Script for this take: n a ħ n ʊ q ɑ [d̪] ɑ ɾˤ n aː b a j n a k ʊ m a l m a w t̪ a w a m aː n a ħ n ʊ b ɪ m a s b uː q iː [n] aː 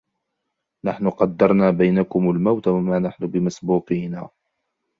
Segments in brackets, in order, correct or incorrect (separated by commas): incorrect, correct